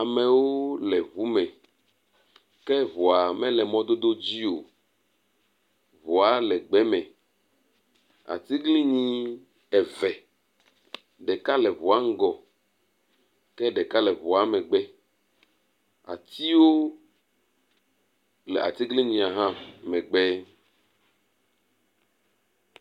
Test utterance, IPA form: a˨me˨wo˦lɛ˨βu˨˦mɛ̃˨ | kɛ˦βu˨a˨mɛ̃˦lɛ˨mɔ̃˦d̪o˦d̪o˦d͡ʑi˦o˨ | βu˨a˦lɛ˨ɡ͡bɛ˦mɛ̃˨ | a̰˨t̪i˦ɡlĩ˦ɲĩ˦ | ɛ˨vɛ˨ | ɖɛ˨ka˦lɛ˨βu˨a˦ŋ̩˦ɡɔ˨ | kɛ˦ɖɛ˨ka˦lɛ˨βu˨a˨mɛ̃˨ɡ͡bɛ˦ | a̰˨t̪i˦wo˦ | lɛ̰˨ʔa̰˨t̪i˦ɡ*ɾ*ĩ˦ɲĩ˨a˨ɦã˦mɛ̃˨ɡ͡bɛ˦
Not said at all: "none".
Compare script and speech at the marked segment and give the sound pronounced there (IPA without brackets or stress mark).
l